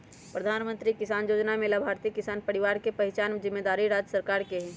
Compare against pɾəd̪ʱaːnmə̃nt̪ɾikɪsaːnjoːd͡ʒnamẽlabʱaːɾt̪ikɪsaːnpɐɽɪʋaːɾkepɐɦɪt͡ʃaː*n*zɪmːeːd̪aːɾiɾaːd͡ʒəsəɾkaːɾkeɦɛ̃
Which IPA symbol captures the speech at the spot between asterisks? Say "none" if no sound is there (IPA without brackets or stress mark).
n